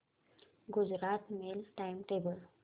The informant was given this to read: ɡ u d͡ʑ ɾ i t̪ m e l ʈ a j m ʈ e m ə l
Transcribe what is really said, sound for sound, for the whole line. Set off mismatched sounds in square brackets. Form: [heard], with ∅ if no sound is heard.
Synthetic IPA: ɡ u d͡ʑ ɾ [a] t̪ m e l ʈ a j m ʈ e [b] ə l